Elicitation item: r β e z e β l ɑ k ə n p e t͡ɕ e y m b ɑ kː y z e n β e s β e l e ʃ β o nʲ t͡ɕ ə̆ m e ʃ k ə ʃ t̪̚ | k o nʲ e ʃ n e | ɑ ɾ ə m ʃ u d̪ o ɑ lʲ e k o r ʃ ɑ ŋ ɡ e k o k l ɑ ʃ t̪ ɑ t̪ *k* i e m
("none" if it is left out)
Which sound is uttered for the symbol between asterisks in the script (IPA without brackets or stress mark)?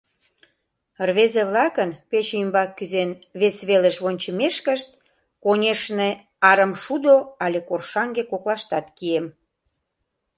k